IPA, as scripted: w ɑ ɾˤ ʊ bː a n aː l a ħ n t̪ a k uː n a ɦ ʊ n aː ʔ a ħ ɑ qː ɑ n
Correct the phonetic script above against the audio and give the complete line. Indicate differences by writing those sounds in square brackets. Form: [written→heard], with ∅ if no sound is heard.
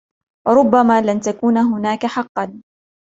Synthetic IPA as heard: w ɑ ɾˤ ʊ bː a [n→m] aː l a [ħ→∅] n t̪ a k uː n a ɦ ʊ n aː [ʔ→k] a ħ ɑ qː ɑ n